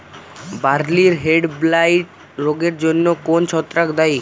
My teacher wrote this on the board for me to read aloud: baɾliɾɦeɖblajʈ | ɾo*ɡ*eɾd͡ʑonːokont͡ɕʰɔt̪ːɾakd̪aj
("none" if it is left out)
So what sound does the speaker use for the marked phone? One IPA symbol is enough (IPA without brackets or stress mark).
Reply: ɡ